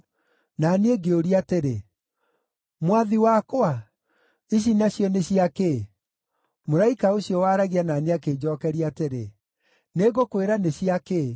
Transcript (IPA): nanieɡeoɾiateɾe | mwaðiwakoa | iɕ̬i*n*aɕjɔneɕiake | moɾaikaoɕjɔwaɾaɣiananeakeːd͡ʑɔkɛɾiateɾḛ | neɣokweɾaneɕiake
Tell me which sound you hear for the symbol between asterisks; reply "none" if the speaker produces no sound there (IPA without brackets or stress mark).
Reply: n